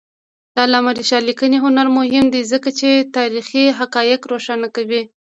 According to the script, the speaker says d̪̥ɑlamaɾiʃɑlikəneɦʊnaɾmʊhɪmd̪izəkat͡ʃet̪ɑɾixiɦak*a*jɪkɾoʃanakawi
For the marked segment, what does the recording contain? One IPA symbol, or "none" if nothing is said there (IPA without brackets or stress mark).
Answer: ɑ